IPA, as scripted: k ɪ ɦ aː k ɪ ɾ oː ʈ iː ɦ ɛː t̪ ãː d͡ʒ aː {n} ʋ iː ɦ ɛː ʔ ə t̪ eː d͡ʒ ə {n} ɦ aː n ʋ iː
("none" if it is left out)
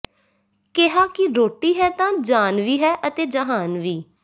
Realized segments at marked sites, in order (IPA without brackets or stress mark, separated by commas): n, none